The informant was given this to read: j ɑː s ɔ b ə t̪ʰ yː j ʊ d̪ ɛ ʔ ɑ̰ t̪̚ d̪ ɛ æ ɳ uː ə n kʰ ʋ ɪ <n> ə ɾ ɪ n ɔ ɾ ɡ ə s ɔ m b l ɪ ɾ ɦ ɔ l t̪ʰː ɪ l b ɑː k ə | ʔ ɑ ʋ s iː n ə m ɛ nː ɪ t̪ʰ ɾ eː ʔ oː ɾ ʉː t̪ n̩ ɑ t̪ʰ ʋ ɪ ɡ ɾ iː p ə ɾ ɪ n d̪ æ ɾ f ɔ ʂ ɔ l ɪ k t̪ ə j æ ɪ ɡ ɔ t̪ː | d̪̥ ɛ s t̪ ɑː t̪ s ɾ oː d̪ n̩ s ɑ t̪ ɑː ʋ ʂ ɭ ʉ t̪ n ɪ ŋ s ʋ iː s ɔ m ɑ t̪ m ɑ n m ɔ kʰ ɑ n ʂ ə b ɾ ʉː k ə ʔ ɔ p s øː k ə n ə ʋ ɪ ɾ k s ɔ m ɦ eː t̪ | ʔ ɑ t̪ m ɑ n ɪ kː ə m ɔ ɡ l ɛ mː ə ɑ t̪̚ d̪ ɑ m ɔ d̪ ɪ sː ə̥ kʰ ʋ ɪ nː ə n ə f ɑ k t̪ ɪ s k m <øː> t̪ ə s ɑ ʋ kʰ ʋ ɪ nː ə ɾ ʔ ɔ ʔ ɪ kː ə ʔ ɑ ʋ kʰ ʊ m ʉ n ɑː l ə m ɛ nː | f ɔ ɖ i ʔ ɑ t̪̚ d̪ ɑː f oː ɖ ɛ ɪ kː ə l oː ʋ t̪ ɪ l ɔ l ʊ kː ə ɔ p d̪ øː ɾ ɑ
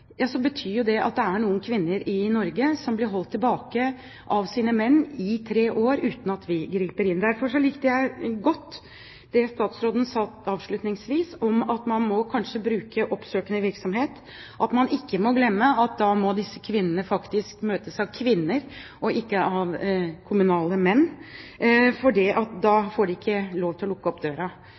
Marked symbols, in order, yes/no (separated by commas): no, yes